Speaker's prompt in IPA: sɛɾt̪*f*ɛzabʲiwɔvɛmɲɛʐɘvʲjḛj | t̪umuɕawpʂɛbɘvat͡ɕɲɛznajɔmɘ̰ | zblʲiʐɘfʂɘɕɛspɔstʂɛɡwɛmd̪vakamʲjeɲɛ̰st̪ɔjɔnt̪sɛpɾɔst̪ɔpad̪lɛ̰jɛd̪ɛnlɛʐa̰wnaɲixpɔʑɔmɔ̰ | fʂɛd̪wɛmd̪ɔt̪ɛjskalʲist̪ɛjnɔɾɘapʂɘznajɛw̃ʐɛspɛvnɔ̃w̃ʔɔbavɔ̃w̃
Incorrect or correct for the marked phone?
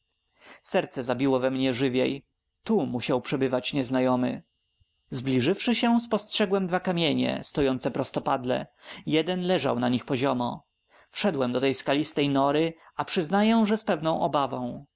incorrect: s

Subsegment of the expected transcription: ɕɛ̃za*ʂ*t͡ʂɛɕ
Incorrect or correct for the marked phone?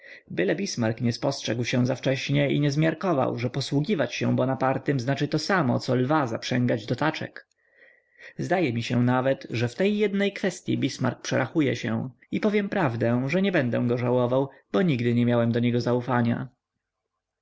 incorrect: f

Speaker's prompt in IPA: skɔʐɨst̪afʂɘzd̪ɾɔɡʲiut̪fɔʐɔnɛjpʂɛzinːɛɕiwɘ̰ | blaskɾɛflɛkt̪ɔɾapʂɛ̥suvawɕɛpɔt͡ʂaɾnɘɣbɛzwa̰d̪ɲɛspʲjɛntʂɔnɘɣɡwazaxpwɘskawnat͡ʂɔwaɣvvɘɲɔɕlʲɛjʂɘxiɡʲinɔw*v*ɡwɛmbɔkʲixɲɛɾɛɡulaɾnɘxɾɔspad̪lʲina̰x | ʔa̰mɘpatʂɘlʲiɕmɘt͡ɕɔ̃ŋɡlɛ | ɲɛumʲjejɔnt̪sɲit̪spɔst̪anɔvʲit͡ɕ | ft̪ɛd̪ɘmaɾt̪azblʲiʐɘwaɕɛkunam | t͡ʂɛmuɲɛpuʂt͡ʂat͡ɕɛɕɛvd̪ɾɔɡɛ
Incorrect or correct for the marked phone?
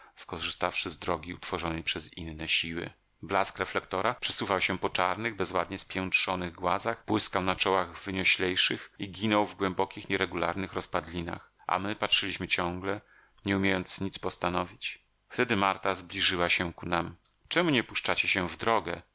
correct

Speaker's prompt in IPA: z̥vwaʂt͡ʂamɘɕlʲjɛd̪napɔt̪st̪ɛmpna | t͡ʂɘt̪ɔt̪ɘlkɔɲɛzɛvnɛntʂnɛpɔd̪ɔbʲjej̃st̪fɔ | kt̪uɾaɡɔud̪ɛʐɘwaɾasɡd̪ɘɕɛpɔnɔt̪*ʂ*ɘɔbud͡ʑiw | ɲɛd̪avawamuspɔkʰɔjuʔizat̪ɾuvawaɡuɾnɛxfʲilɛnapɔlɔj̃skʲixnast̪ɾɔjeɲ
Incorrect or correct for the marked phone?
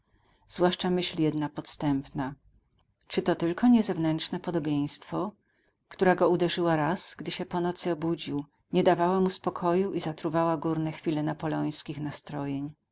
incorrect: s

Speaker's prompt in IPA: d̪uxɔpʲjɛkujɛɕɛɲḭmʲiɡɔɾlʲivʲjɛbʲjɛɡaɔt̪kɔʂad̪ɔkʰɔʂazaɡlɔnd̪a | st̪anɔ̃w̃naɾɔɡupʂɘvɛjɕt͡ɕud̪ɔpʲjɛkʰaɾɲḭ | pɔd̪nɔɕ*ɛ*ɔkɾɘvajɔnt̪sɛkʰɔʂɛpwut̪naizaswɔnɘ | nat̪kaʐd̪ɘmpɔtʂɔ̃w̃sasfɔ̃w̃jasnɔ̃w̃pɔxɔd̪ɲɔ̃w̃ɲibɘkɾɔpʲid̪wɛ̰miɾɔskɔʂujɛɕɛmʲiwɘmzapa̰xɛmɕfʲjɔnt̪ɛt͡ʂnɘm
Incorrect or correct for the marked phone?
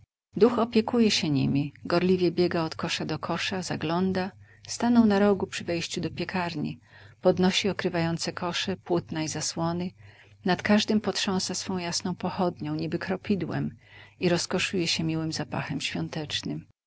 incorrect: i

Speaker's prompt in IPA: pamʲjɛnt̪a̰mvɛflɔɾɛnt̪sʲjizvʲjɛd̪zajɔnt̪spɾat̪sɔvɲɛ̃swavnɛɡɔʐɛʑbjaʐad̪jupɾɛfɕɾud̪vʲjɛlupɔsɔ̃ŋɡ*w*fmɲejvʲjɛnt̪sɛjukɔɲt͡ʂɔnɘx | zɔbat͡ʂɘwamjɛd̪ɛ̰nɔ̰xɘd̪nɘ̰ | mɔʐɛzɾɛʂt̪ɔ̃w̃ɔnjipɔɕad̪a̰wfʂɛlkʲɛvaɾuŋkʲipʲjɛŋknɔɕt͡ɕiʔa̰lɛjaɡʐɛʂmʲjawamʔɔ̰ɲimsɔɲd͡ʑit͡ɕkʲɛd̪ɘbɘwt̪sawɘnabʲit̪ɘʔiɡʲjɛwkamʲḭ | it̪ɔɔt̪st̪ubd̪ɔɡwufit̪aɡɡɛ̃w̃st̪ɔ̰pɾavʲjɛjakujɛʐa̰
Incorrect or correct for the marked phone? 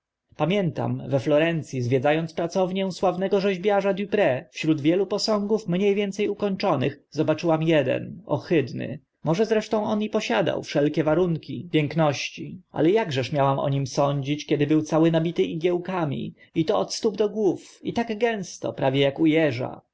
incorrect: u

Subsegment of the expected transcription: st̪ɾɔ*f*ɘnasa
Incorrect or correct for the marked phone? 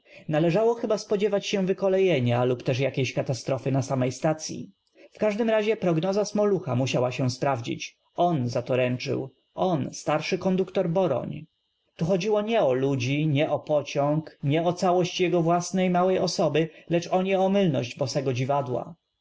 correct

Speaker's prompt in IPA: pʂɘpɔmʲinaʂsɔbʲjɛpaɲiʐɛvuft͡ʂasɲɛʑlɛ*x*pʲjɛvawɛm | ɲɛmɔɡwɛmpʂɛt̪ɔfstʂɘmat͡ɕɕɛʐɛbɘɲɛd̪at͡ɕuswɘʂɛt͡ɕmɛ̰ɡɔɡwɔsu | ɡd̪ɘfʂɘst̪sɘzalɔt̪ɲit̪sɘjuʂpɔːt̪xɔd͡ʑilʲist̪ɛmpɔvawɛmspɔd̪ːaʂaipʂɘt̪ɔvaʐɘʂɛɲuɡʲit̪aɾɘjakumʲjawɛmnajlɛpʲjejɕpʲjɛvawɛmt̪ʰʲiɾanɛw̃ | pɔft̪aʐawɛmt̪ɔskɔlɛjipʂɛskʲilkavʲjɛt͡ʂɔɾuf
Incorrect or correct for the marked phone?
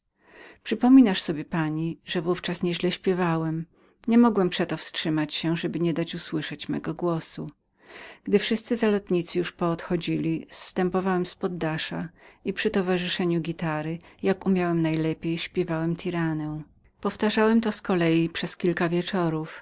incorrect: ɕ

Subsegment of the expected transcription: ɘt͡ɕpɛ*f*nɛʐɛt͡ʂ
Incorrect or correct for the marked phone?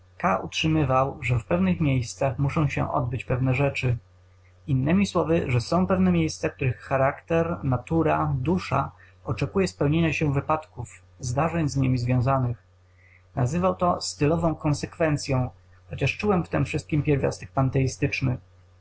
incorrect: v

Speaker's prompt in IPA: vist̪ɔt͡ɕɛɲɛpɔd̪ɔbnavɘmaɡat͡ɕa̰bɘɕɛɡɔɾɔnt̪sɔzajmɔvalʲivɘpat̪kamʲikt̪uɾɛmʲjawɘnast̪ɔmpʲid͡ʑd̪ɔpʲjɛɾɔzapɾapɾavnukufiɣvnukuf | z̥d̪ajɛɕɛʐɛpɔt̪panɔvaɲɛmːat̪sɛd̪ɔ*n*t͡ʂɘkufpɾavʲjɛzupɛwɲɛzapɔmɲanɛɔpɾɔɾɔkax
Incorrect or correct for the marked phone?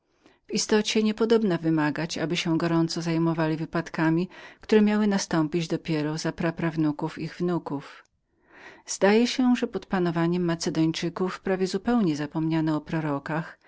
incorrect: ɲ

